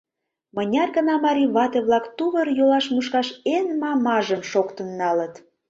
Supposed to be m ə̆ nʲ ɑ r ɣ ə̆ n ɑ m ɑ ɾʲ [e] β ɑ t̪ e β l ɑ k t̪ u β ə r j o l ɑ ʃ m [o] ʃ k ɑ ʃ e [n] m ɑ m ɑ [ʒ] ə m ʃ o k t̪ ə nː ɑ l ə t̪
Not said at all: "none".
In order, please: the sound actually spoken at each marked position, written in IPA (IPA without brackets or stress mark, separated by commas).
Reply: i, u, n, ʒ